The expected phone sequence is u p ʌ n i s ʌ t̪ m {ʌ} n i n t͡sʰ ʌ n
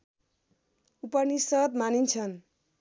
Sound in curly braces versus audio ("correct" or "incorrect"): incorrect